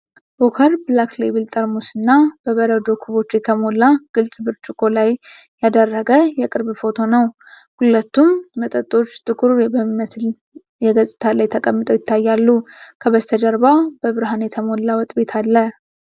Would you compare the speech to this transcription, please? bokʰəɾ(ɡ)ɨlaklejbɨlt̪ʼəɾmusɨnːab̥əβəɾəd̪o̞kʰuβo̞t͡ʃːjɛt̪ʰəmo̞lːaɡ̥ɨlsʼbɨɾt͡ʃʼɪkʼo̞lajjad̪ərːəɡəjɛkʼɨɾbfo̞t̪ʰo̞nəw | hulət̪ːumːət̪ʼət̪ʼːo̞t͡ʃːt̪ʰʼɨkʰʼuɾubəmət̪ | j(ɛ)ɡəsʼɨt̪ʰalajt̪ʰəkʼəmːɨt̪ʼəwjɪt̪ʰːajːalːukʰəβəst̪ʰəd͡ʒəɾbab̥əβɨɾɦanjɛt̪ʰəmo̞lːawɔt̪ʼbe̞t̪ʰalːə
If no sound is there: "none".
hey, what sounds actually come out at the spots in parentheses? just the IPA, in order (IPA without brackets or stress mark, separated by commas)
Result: b, ɛ